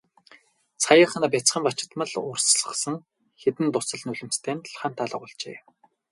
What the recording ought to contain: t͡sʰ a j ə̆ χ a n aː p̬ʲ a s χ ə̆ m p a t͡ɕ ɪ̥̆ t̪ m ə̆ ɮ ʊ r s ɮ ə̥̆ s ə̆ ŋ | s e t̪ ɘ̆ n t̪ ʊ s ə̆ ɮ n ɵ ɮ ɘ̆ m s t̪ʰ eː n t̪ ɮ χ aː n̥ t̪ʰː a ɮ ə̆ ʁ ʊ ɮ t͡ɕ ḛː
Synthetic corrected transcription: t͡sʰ a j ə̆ χ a n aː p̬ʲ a t͡s χ ə̆ m p a t͡ɕ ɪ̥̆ t̪ m ə̆ ɮ ʊ r s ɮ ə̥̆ s ə̆ ŋ | x e t̪ ɘ̆ n t̪ ʊ s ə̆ ɮ n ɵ ɮ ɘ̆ m s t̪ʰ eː n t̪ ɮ χ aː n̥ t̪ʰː a ɮ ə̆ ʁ ʊ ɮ t͡ɕ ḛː